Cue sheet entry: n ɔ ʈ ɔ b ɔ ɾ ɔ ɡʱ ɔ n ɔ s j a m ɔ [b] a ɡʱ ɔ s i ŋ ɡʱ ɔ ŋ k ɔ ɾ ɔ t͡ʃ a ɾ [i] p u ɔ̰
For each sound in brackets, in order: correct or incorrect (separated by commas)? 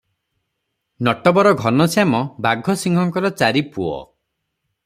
correct, correct